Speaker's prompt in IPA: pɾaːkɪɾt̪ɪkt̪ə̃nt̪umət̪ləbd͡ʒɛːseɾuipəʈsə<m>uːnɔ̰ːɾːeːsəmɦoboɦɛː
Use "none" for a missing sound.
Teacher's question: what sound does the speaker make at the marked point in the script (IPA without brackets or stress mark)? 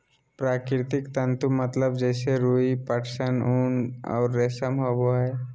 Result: n